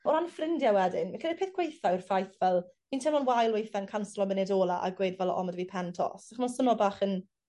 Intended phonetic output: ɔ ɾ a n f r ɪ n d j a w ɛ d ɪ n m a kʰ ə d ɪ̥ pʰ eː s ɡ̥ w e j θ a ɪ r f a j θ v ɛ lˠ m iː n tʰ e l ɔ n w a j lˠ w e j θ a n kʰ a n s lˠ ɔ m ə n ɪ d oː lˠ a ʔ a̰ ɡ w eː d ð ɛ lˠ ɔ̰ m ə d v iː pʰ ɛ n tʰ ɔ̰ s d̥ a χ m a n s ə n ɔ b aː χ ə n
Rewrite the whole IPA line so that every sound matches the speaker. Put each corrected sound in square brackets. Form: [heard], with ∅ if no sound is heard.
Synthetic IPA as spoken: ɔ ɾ a n f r ɪ n d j a w ɛ d ɪ n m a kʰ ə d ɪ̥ pʰ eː [θ] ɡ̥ w e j θ a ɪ r f a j θ v ɛ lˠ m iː n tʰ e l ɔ n w a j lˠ w e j θ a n kʰ a n s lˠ ɔ m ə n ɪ d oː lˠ a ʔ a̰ ɡ w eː d [v] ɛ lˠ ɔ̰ m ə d v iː pʰ ɛ n tʰ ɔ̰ s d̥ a χ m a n s ə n ɔ b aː χ ə n